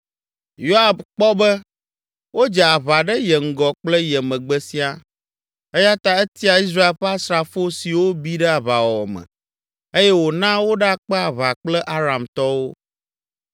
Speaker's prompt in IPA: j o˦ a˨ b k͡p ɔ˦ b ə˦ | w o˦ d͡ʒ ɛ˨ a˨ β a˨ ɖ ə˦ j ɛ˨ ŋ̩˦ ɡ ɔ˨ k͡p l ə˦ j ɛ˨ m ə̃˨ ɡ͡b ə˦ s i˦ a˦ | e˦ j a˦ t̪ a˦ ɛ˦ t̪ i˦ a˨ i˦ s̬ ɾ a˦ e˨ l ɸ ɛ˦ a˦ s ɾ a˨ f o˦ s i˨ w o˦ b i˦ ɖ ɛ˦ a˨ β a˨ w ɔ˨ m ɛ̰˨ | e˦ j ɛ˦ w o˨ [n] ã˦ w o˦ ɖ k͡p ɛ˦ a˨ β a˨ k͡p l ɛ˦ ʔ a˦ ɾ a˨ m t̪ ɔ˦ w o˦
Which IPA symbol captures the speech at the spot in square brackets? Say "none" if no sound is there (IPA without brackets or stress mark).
n